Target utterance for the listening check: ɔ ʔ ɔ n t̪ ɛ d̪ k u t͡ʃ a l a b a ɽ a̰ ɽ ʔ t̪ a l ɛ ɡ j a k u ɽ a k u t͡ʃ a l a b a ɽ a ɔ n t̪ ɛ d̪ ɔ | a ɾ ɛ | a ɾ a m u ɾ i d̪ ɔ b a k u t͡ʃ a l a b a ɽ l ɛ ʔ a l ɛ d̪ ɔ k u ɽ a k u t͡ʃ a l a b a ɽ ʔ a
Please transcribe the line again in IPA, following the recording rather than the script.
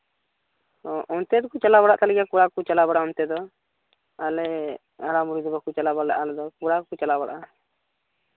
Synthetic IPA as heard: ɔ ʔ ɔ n t̪ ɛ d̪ k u t͡ʃ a l a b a ɽ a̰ ʔ t̪ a l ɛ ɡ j a k u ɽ a k u t͡ʃ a l a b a ɽ a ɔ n t̪ ɛ d̪ ɔ | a l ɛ | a ɾ a m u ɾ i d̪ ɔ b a k u t͡ʃ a l a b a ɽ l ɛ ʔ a l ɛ d̪ ɔ k u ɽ a k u t͡ʃ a l a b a ɽ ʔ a